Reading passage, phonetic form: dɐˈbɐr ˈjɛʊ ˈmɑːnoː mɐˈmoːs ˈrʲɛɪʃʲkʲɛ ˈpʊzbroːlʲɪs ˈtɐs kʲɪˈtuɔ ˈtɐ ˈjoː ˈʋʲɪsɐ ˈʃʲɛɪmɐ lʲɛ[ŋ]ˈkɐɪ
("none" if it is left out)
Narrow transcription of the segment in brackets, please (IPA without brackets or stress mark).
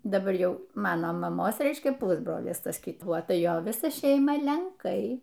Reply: ŋ